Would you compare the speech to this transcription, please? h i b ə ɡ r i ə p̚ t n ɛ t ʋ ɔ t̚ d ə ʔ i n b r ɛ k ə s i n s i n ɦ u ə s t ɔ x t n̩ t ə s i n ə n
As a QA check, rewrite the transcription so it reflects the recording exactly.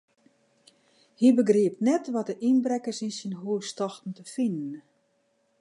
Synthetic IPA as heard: h i b ə ɡ r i ə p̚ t n ɛ t ʋ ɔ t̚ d ə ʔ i n b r ɛ k ə s i n s i n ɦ u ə s t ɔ x t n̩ t ə f i n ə n